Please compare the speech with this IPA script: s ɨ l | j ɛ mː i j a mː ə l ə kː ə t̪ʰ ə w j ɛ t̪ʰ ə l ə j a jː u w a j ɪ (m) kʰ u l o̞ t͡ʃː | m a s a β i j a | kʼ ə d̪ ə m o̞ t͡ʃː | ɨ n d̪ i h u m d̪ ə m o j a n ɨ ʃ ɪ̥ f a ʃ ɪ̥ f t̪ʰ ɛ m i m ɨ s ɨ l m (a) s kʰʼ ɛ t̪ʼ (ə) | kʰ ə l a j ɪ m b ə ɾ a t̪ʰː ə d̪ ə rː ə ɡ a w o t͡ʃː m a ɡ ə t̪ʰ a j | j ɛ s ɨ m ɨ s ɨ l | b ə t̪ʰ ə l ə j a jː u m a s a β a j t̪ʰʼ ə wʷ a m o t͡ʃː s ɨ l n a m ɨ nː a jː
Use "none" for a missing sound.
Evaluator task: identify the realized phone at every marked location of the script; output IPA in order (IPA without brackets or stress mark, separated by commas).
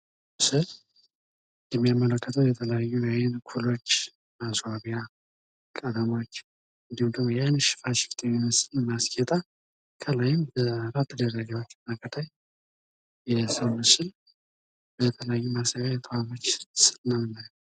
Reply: n, a, a